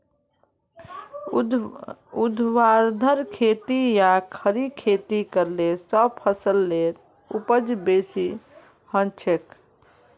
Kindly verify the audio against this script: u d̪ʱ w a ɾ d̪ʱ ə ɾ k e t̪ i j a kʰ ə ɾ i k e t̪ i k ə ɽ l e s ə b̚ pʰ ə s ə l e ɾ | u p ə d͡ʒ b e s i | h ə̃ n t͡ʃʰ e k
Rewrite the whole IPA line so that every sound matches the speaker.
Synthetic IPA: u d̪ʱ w a ɾ d̪ʱ ə ɾ kʰ e t̪ i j a kʰ ə ɾ i kʰ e t̪ i k ə ɾ l e s ə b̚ pʰ ə s ə lː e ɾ | u p ə d͡ʒ b e s i | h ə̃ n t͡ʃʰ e k